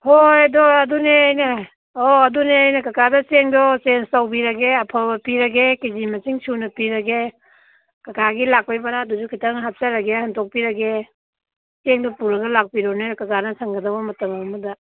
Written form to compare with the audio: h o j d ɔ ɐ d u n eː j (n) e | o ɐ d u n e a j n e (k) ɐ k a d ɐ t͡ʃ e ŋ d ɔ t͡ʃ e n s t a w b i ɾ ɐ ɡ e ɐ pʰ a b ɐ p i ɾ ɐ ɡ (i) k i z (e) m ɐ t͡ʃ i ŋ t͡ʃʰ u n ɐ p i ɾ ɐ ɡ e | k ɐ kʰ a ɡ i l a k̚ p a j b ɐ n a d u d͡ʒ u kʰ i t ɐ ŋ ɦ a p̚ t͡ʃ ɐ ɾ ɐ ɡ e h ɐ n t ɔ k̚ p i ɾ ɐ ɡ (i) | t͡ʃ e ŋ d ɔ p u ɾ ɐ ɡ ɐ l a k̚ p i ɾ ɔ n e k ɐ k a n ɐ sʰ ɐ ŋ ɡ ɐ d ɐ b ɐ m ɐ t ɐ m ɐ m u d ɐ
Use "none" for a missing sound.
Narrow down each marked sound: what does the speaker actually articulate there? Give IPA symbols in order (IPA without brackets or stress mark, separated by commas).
n, k, e, i, e